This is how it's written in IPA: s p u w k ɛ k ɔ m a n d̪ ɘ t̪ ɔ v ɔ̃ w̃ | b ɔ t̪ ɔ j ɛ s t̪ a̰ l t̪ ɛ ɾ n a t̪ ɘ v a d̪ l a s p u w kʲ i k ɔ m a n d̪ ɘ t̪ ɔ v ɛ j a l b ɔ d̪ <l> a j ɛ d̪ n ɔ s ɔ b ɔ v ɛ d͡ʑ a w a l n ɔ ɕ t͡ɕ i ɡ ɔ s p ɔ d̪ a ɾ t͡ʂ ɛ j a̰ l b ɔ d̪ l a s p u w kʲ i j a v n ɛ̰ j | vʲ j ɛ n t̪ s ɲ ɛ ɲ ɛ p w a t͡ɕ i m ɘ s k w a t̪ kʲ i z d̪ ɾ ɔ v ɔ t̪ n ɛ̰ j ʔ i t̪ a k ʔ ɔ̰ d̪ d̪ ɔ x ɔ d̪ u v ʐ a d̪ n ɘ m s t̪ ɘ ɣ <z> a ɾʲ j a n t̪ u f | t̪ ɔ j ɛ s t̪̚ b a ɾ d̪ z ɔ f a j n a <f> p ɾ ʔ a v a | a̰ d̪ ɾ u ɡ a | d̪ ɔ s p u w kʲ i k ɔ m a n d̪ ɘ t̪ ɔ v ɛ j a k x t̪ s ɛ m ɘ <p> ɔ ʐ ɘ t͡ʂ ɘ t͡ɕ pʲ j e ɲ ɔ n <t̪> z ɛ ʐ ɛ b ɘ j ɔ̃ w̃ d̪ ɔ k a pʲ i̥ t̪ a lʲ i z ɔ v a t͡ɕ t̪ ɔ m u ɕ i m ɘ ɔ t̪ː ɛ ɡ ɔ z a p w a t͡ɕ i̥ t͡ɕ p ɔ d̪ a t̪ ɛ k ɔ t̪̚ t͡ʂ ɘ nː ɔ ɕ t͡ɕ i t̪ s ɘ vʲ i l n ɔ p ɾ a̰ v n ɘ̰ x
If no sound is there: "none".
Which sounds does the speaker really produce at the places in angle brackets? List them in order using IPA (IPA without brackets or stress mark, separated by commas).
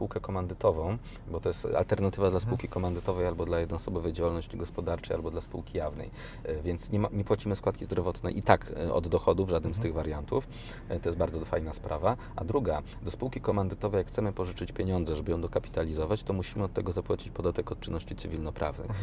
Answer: l, v, s, p, d̪